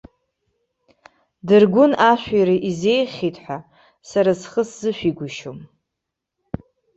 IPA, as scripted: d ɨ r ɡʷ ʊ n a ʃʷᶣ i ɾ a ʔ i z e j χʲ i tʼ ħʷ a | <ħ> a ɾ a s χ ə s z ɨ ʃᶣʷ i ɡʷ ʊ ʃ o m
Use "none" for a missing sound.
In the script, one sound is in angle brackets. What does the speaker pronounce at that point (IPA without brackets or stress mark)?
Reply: s